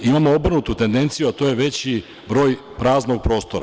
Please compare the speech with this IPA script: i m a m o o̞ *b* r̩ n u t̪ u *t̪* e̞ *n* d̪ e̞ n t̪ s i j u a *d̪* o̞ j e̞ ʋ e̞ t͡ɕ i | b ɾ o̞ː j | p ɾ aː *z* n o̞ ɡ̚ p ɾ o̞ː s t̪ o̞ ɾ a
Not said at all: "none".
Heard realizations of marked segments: b, t̪, n, t̪, z

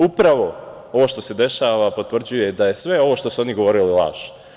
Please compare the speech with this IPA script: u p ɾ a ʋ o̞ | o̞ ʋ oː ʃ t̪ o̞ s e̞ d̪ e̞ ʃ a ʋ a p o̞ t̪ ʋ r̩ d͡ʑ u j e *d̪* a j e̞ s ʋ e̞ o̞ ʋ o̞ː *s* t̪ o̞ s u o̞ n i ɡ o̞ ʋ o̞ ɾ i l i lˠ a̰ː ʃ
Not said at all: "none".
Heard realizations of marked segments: d̪, ʃ

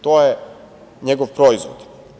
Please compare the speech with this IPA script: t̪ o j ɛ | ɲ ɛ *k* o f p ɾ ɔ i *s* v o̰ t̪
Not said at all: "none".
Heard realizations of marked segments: ɡ, z

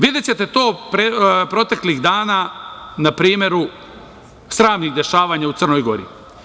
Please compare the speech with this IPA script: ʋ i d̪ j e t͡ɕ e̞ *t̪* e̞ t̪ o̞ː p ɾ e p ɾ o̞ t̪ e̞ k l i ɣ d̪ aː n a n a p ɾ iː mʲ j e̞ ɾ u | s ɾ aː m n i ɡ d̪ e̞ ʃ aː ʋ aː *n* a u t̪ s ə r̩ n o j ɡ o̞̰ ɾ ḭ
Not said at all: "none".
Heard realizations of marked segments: t̪, ɲ

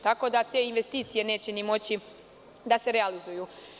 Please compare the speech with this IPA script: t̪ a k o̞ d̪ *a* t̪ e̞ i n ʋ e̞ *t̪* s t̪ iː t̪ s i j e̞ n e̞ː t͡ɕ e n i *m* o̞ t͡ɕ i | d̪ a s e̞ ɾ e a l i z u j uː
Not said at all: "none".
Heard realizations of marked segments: a, none, m

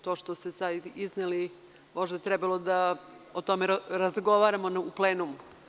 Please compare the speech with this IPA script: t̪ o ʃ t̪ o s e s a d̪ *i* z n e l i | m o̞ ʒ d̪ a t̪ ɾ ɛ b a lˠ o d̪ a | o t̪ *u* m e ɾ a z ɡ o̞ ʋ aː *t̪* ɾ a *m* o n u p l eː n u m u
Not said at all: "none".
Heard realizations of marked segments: i, o, none, m

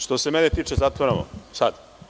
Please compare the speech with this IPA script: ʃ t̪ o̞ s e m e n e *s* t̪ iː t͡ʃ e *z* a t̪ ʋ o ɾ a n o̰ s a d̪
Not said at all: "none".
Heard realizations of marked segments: none, z

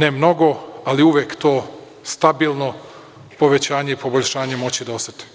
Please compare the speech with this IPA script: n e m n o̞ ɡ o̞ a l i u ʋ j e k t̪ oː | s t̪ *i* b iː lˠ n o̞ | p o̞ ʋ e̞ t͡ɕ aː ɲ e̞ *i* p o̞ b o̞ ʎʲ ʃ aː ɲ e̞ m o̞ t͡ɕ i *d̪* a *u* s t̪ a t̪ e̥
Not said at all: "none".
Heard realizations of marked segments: a, i, d̪, o

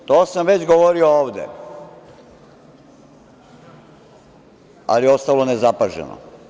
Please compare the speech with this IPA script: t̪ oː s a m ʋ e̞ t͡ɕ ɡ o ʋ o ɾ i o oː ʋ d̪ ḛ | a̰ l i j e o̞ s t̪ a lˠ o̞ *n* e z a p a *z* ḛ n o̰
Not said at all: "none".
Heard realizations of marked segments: n, ʒ

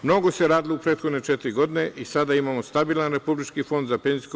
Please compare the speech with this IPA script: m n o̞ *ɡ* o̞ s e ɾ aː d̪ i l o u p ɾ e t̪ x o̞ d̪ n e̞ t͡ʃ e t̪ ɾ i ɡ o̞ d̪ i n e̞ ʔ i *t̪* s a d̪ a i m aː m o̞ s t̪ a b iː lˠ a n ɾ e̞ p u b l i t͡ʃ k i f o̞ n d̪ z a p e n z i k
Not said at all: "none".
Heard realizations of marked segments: ɡ, none

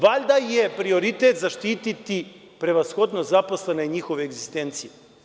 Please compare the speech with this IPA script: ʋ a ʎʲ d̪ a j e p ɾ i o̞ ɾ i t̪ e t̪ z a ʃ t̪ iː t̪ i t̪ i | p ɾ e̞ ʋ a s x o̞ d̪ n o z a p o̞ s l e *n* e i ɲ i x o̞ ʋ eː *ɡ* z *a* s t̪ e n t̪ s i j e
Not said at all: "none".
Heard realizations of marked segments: n, ɡ, i

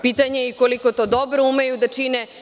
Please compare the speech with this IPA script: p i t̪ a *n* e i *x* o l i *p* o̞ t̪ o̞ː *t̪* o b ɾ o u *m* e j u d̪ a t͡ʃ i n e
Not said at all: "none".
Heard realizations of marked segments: ɲ, k, k, d̪, m

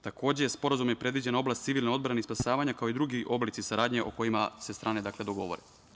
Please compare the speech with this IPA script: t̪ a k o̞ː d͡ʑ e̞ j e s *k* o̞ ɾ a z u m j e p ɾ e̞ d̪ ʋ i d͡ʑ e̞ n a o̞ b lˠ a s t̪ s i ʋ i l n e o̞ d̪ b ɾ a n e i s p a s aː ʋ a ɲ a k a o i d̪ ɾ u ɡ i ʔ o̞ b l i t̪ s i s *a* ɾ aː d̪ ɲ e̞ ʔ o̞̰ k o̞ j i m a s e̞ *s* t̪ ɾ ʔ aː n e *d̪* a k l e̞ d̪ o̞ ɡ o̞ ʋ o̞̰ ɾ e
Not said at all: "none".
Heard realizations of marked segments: p, a, s, d̪

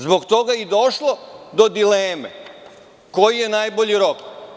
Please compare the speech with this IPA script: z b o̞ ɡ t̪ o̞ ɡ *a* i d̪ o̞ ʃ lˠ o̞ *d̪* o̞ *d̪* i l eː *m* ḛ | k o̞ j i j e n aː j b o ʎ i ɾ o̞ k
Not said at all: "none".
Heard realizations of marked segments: a, d̪, d̪, m

